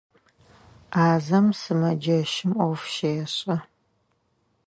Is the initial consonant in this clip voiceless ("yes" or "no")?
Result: no